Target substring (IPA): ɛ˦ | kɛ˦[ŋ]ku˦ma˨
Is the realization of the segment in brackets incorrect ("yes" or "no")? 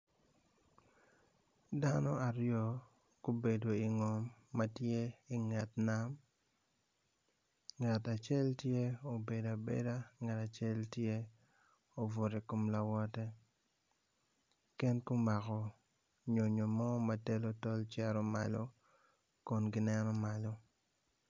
yes